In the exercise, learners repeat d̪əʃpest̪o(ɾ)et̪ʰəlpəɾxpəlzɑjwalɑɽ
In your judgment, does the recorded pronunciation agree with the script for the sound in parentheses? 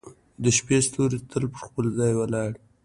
yes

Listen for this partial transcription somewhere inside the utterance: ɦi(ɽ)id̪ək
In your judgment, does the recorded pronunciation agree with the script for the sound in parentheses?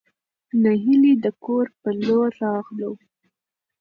no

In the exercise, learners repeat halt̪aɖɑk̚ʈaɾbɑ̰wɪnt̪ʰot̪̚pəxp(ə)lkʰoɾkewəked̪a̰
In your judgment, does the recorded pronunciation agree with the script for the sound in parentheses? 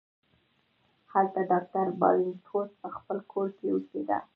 yes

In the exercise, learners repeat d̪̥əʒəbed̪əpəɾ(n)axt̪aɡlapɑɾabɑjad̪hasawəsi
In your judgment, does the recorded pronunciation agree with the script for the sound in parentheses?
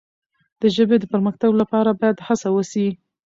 no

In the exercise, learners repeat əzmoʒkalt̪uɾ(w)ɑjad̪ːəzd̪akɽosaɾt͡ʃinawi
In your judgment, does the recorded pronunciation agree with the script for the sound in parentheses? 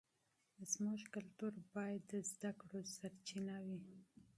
no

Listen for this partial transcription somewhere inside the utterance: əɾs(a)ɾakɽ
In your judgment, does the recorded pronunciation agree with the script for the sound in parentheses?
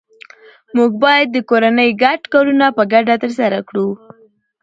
yes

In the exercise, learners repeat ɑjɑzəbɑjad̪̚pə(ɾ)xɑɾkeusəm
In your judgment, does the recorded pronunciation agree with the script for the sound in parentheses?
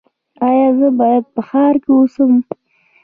no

